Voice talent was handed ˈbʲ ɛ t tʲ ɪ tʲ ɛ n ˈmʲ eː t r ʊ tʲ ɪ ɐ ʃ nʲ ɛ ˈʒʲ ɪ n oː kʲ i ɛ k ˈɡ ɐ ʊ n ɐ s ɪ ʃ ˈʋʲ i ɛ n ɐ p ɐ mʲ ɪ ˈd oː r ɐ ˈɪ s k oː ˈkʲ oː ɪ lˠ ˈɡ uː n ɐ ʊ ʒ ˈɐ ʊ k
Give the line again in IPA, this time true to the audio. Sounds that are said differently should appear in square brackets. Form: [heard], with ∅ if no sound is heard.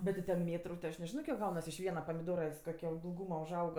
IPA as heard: ˈbʲ ɛ t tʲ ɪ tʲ ɛ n ˈmʲ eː t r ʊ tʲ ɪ ɐ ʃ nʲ ɛ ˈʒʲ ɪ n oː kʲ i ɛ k ˈɡ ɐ ʊ n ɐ s ɪ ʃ ˈʋʲ i ɛ n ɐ p ɐ mʲ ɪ ˈd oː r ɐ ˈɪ s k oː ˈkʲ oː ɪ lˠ ˈɡ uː [m] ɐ ʊ ʒ ˈɐ ʊ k